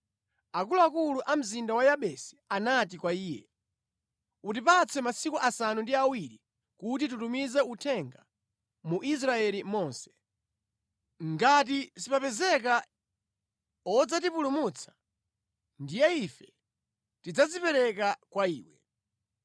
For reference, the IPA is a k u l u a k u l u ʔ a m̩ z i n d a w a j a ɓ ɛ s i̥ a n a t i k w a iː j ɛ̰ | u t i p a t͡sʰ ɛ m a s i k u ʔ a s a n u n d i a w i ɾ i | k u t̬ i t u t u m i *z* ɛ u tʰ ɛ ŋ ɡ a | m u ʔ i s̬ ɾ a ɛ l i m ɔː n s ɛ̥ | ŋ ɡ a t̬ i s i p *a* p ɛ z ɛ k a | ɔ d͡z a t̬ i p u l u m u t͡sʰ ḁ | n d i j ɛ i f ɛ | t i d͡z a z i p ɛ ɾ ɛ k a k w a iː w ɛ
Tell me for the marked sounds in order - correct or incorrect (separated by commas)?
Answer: correct, correct